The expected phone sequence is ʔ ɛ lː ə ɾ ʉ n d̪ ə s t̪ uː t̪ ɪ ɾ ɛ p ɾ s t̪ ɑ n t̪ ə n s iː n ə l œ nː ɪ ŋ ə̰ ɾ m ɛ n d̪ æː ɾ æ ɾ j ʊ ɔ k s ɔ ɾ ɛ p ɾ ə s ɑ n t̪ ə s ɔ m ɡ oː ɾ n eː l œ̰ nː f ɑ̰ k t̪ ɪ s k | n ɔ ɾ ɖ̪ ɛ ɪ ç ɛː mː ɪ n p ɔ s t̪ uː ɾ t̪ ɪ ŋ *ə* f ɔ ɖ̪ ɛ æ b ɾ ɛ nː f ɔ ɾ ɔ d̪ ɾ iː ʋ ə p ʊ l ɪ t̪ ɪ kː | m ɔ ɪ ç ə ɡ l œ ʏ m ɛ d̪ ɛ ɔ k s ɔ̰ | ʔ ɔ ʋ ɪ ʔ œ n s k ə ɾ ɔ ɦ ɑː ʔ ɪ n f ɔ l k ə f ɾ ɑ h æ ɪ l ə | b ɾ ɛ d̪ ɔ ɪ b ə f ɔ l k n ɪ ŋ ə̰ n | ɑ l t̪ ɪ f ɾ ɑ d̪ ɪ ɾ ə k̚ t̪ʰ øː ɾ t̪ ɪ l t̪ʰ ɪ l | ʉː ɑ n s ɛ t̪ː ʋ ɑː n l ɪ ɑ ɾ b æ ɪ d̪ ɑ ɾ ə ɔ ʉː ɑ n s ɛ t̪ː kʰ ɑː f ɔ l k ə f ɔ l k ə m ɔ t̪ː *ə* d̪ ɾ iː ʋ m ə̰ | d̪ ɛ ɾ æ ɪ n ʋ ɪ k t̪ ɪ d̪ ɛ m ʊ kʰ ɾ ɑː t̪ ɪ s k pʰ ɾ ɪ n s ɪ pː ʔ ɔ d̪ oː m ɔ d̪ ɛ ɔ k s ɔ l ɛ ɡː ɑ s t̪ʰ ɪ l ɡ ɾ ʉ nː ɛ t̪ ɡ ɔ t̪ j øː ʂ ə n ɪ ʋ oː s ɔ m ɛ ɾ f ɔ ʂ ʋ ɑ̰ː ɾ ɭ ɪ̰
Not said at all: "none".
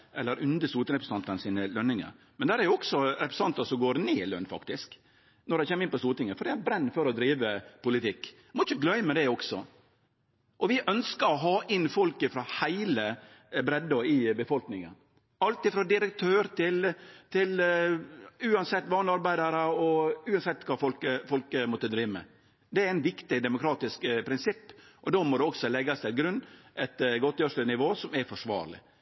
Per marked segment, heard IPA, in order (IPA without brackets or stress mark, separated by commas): ə, ə